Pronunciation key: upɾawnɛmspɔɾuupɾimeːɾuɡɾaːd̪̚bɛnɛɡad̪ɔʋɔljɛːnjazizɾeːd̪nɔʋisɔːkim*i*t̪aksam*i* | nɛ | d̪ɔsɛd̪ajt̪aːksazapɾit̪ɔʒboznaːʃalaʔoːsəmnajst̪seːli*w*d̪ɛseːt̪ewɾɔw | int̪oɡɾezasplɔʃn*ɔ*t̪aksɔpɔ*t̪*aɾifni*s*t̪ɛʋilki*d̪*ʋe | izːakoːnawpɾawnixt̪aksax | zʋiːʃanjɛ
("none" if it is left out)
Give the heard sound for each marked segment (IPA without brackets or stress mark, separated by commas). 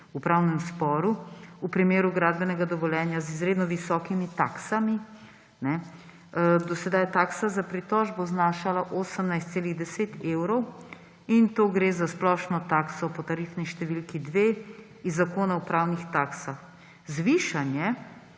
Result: i, i, ɣ, ɔ, t̪, ʃ, d̪